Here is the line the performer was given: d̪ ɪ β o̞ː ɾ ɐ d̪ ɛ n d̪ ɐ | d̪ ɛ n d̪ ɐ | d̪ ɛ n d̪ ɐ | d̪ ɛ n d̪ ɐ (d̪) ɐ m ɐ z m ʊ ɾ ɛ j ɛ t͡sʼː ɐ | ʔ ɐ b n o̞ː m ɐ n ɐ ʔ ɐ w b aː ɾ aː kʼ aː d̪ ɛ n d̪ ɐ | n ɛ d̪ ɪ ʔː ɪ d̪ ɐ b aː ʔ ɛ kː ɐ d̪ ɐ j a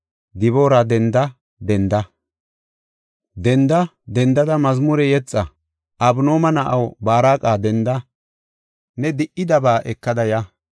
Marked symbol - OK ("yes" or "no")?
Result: yes